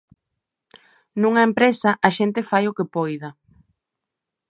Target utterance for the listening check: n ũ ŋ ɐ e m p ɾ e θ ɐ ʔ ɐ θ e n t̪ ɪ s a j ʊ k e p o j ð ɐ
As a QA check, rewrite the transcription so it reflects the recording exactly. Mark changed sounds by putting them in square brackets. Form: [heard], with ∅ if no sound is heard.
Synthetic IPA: n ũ ŋ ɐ e m p ɾ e [s] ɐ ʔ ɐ [ʃ] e n t̪ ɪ [f] a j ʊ k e p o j ð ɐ